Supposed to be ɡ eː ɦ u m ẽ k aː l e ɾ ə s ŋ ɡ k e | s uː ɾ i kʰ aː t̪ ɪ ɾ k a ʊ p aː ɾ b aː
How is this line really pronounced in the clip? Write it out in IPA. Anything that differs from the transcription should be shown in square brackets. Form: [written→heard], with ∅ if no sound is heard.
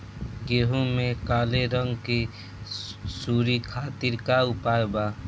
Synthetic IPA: ɡ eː ɦ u m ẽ k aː l e ɾ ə [s→∅] ŋ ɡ k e | s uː ɾ i kʰ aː t̪ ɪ ɾ k a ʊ p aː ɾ b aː

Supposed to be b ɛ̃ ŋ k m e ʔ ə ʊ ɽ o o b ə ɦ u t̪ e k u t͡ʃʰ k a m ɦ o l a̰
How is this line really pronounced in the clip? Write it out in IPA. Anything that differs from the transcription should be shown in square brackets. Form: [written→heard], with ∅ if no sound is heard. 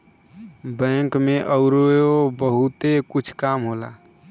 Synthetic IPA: b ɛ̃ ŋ k m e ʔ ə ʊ [ɽ→ɾ] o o b ə ɦ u t̪ e k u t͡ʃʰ k a m ɦ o l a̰

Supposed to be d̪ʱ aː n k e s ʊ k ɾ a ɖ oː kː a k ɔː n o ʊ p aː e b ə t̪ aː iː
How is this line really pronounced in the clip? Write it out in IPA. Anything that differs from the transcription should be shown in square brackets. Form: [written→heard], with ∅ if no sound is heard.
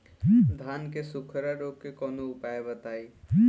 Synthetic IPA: d̪ʱ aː n k e s ʊ [k→kʰ] ɾ a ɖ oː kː [a→e] k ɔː n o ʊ p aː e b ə t̪ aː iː

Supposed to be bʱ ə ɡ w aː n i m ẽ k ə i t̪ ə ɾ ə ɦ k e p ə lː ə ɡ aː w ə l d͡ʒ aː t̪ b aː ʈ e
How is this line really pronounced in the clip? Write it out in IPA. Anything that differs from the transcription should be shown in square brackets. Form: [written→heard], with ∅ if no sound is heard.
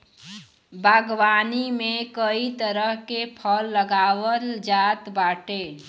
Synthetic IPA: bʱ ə ɡ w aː n i m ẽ k ə i t̪ ə ɾ ə ɦ k e [p→pʰ] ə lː ə ɡ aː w ə l d͡ʒ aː t̪ b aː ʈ e

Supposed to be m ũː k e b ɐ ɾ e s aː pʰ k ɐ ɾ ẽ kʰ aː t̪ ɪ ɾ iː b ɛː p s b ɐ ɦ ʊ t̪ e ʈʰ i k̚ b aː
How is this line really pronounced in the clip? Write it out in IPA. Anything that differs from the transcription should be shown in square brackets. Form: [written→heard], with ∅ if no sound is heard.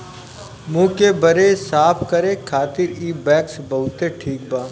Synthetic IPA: m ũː k e b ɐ ɾ e s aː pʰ k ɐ ɾ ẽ kʰ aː t̪ ɪ ɾ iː b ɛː [p→k] s b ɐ ɦ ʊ t̪ e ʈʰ [i→iː] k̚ b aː

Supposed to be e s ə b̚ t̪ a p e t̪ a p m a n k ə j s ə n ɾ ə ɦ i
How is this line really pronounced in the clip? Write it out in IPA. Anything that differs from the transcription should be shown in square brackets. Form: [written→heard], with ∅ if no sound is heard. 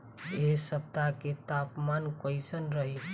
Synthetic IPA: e s ə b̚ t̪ a [p→k] e t̪ a p m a n k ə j s ə n ɾ ə ɦ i

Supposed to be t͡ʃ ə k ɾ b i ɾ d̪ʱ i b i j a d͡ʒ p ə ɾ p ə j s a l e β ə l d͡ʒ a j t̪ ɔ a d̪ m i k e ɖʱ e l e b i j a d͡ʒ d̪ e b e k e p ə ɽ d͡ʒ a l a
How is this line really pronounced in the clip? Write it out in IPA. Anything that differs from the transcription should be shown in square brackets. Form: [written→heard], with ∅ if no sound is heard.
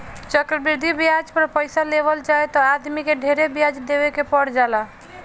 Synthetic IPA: t͡ʃ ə k ɾ b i ɾ d̪ʱ i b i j a d͡ʒ p ə ɾ p ə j s a l e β ə l d͡ʒ a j t̪ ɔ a d̪ m i k e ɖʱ e [l→ɾ] e b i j a d͡ʒ d̪ e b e k e p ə ɽ d͡ʒ a l a

